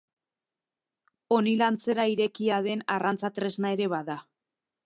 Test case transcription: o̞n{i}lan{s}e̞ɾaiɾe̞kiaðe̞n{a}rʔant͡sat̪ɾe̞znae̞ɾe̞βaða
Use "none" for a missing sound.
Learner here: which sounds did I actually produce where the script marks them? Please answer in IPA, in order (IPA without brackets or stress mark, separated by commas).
i, t͡s, a